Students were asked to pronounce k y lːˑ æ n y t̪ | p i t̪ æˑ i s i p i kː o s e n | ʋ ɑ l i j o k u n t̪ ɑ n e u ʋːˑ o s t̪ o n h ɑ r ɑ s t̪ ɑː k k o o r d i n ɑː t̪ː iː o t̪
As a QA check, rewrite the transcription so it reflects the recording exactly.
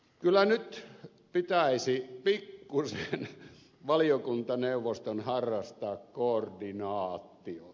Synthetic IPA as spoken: k y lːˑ æ n y t̪ | p i t̪ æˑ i s i p i kː u s e n | ʋ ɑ l i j o k u n t̪ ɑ n e u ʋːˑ o s t̪ o n h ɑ rː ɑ s t̪ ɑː k k o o r d i n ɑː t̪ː i o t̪